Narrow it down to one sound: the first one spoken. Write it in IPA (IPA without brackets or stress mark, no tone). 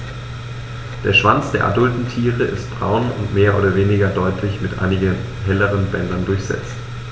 d̥